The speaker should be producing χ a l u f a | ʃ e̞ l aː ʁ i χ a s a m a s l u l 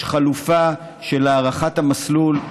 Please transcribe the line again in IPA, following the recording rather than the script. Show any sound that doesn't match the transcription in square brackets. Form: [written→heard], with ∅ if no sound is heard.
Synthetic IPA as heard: χ a l u f a | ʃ e̞ l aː ʁ [i→a] χ a [s→t] a m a s l u l